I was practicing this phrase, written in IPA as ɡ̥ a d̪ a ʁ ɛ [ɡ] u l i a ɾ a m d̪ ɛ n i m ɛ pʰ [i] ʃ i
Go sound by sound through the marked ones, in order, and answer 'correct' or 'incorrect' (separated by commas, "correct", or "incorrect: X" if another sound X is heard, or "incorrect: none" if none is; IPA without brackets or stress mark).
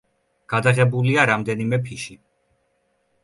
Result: incorrect: b, correct